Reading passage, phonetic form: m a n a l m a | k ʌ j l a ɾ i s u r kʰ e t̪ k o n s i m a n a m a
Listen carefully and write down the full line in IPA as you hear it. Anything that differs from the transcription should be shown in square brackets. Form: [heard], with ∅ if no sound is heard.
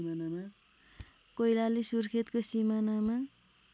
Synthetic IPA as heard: m a n a [∅] m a | k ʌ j l a [l] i s u r kʰ e t̪ k o [∅] s i m a n a m a